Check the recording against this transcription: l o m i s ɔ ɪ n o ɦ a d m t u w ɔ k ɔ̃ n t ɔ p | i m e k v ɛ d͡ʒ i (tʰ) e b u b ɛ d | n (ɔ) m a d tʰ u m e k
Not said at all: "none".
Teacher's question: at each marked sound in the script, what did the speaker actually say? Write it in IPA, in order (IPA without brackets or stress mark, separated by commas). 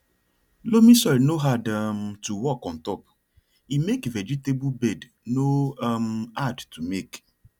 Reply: t, o